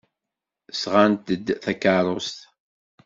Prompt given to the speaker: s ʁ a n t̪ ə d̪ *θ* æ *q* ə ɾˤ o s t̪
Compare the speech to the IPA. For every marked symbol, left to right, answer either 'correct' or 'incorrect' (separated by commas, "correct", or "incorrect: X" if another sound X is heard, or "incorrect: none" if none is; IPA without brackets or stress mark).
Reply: correct, incorrect: k